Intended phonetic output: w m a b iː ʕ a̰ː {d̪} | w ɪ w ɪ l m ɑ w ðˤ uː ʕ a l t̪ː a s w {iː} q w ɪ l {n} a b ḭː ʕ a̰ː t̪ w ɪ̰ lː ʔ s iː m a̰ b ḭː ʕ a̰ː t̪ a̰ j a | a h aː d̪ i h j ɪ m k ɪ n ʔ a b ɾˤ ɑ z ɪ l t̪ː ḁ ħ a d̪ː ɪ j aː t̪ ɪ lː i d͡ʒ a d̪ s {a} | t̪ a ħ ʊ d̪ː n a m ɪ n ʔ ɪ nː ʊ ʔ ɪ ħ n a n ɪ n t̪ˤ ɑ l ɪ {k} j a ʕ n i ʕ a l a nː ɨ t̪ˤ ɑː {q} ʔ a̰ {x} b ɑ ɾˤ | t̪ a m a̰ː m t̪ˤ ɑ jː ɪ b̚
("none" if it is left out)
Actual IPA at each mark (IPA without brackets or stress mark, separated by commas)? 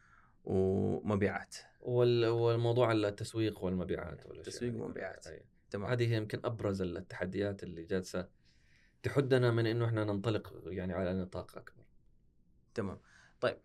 t̪, iː, m, a, q, q, k